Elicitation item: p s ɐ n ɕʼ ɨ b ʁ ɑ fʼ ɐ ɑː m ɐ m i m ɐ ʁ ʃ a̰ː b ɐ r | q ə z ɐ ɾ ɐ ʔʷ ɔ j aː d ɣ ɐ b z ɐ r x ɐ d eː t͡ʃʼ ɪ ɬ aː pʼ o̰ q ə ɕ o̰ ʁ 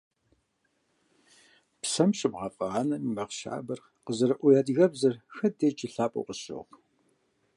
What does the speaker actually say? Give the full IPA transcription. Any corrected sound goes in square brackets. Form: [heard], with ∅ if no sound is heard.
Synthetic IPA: p s ɐ [m] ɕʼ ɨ b ʁ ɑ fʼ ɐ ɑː [n] ɐ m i m ɐ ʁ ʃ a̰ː b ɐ r | q ə z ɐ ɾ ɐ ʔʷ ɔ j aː d ɣ ɐ b z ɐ r x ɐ d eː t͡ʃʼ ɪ ɬ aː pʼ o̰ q ə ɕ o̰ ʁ